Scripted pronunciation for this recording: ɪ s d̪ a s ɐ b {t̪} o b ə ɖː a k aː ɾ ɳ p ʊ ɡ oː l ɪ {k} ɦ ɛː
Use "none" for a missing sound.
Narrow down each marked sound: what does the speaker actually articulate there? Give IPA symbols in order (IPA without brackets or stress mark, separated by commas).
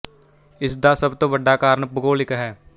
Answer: t̪, k